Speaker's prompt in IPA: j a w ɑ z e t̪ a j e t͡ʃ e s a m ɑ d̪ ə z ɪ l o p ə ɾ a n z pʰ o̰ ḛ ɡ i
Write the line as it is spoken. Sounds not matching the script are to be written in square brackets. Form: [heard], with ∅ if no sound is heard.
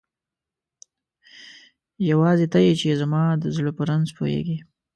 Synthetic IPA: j a w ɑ z e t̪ a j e t͡ʃ e [z] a m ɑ d̪ ə z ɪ l o p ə ɾ a n z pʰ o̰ ḛ ɡ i